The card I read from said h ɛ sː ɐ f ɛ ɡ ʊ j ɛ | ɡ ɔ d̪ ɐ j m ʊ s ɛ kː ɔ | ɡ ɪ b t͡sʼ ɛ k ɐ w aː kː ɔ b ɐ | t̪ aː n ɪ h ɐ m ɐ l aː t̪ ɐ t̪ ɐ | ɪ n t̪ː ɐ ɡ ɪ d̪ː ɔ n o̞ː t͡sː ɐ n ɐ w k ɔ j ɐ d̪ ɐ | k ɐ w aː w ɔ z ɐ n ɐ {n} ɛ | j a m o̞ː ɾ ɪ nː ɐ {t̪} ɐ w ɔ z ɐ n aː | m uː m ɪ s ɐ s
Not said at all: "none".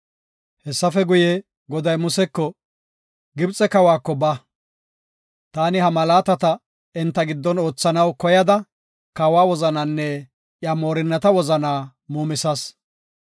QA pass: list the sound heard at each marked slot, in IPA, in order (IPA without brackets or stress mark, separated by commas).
nː, t̪